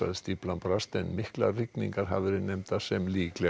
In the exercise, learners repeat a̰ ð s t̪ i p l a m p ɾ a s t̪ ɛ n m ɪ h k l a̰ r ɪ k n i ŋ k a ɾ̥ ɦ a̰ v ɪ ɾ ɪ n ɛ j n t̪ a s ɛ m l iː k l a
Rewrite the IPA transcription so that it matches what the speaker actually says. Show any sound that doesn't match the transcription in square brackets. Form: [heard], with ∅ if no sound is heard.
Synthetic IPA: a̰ ð s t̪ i p l a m p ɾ a s t̪ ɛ n m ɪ h k l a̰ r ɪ k n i ŋ k a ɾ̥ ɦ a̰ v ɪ ɾ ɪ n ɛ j [m] t̪ a s ɛ m l iː k l [ɛ]